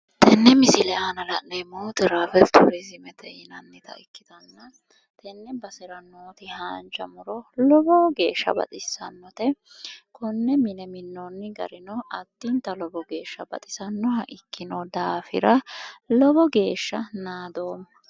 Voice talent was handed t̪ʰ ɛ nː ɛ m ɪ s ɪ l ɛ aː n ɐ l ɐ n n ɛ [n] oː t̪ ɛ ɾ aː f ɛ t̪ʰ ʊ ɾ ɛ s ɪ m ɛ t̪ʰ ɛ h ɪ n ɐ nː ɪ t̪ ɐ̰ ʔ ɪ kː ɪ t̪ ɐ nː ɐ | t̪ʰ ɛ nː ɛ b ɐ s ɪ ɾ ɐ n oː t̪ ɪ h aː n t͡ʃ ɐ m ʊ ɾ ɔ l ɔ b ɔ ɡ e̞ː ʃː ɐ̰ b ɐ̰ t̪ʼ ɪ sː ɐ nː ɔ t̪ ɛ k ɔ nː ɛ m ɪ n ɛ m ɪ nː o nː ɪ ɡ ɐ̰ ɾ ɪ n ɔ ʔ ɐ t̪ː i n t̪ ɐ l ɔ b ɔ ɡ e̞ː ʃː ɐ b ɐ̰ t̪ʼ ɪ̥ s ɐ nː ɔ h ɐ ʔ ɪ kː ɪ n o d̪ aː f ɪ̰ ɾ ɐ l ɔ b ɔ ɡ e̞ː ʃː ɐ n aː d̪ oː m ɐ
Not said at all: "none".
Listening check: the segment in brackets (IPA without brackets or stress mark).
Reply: m